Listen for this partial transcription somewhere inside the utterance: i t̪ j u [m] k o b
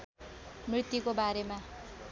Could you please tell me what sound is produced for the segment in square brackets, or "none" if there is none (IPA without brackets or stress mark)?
none